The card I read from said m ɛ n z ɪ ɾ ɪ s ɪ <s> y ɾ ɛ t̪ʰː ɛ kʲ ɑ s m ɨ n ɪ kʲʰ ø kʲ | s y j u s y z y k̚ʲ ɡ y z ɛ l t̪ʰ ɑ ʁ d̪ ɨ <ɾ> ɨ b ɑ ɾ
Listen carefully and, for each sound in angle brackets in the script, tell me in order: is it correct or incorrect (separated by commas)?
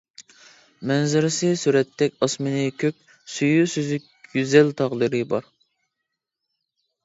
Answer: correct, correct